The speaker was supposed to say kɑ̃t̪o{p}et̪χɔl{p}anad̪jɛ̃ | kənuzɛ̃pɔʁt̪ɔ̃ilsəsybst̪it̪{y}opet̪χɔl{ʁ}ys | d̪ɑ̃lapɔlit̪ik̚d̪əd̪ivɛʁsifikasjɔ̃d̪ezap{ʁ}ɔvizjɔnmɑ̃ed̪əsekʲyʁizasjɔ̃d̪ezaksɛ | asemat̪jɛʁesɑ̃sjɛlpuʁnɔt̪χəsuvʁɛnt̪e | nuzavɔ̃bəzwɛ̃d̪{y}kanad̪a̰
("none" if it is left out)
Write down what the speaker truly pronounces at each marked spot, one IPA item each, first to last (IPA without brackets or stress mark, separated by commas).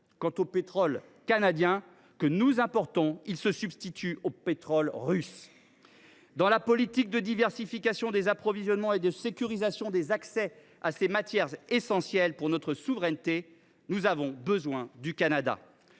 p, k, y, ʁ, χ, y